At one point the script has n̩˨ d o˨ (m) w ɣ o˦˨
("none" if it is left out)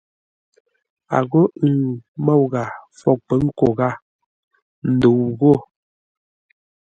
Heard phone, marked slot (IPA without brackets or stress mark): none